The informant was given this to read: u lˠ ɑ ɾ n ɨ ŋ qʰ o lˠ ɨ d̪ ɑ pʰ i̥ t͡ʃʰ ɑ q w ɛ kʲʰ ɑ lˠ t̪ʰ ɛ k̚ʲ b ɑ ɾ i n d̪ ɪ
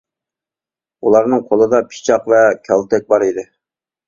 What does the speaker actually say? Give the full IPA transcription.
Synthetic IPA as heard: u lˠ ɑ ɾ n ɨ ŋ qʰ o lˠ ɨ d̪ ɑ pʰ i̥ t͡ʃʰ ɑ q v ɛ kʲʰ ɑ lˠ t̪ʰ ɛ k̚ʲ b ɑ ɾ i d̪ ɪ